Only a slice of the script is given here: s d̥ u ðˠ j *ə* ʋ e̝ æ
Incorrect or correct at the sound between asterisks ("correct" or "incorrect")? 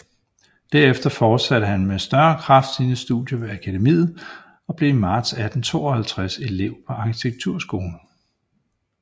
incorrect